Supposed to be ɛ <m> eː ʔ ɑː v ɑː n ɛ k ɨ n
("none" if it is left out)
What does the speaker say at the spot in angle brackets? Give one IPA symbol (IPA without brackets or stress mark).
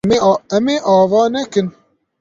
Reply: m